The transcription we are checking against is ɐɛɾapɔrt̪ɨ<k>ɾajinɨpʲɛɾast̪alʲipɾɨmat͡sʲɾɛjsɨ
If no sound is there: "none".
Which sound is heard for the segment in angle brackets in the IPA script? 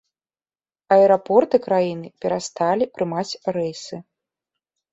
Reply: k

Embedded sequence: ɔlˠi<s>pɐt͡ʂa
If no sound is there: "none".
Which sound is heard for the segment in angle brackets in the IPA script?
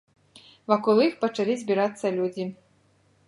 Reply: x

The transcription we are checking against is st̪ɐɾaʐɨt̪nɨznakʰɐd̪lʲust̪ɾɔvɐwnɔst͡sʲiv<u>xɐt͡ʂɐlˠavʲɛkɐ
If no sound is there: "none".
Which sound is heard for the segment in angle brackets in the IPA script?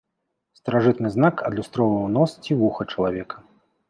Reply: u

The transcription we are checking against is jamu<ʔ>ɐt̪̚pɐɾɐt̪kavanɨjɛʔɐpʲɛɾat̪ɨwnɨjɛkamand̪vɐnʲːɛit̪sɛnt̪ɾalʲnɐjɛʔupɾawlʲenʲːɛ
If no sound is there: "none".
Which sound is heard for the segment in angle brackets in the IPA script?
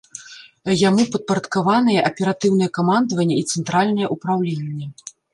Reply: p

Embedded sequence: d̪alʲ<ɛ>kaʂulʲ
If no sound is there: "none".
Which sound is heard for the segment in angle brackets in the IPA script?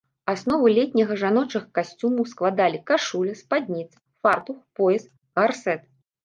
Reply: i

